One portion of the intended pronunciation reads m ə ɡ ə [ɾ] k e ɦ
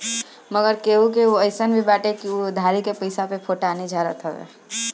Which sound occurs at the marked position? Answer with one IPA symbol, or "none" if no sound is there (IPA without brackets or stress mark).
ɾ